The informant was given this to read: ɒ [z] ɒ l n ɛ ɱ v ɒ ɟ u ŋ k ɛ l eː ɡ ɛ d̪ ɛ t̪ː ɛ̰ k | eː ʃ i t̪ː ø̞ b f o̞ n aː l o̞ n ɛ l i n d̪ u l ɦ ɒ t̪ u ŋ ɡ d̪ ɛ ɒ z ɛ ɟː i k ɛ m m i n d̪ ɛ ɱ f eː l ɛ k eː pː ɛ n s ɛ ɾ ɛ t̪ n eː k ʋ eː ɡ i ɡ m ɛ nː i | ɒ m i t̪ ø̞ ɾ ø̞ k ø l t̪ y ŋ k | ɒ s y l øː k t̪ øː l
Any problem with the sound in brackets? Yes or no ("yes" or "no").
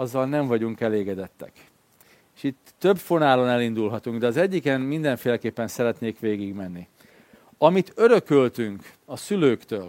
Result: yes